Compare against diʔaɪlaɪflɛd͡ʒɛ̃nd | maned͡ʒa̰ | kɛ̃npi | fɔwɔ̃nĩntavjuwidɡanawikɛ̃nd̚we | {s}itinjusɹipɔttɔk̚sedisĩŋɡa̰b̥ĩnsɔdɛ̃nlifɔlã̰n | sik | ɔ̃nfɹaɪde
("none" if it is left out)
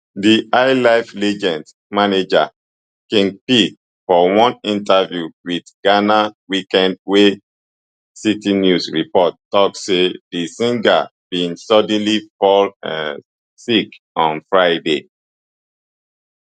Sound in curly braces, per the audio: s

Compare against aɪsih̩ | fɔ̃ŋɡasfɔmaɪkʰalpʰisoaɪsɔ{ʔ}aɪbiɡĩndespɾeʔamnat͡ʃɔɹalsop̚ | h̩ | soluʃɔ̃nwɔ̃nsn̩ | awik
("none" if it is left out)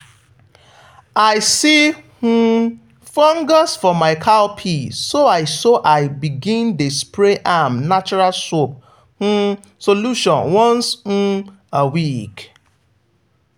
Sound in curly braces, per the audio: ʔ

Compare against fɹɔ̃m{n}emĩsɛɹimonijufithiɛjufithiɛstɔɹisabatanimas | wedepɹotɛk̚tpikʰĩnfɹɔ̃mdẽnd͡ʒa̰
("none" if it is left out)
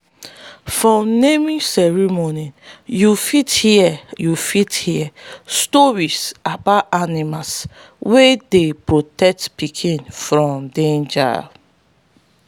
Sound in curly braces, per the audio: n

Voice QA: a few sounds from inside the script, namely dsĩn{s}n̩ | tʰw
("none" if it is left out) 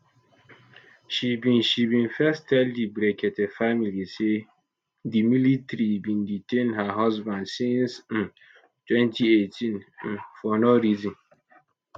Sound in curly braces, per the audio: s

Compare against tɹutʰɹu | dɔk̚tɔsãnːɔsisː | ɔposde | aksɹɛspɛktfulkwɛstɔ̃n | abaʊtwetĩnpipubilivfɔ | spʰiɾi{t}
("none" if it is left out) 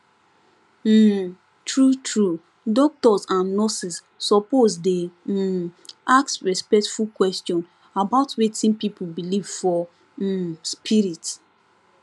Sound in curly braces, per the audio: t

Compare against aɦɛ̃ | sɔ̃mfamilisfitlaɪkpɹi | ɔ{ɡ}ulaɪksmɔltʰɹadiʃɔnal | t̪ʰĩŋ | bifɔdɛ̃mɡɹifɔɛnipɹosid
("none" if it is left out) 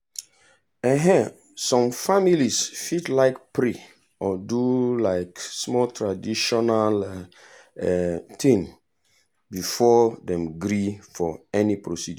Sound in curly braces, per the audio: d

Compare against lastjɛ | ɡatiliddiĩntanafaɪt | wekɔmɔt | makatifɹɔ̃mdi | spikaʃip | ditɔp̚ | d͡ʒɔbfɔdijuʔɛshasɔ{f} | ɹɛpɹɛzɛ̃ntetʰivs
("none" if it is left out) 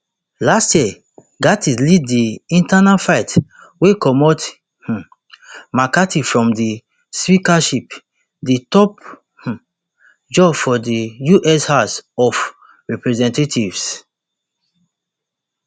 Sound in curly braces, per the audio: f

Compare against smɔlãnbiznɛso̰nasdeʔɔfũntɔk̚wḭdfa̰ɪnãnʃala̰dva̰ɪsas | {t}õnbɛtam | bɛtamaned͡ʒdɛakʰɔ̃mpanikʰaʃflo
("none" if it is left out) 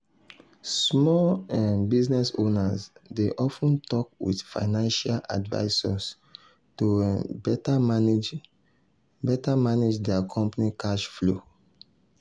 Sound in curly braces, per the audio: t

